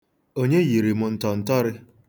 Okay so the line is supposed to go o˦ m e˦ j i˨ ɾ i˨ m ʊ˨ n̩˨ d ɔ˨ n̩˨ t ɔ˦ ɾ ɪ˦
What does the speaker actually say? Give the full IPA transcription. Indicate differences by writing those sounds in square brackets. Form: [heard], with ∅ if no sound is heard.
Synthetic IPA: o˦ [ɲ] e˦ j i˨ ɾ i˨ m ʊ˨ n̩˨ [t] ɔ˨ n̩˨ t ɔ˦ ɾ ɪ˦